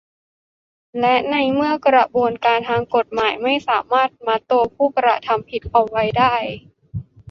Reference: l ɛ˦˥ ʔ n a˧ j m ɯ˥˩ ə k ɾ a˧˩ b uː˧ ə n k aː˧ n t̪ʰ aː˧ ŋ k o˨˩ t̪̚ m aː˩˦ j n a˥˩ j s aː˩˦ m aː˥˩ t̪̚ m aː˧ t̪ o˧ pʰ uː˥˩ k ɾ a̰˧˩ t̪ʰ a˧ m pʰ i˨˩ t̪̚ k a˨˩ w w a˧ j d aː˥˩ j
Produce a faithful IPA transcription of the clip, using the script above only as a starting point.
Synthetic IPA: l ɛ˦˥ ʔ n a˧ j m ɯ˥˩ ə k ɾ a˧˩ b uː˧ ə n k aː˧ n t̪ʰ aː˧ ŋ k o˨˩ t̪̚ m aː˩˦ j m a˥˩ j s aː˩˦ m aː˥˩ t̪̚ m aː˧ t̪ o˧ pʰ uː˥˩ k ɾ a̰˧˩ t̪ʰ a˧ m pʰ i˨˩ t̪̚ ʔ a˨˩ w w a˧ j d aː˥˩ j